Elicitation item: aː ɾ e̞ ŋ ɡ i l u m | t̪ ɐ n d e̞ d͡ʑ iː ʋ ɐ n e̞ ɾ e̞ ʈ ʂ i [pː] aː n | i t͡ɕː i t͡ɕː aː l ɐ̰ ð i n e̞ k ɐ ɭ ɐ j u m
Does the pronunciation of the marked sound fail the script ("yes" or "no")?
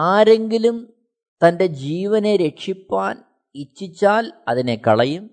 no